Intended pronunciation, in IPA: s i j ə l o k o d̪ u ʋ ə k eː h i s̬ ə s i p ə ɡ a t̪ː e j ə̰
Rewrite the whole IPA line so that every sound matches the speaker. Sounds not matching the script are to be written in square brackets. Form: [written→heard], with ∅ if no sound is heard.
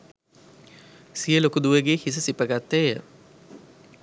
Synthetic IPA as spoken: s i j ə l o k [o→u] d̪ u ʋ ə [k→ɡ] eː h i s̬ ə s i p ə ɡ a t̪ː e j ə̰